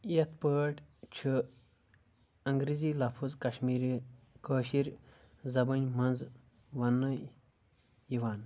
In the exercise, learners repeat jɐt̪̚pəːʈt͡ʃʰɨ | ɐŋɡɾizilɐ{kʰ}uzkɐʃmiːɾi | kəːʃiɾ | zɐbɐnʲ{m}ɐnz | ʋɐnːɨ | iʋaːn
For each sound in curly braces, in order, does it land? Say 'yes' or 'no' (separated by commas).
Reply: no, yes